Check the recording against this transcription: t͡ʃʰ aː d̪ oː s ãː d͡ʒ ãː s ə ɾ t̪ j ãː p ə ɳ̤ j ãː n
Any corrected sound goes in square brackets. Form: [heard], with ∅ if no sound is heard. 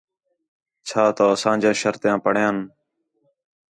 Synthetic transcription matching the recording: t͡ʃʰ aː [t̪] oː s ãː d͡ʒ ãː [ʃ] ə ɾ t̪ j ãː p ə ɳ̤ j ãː n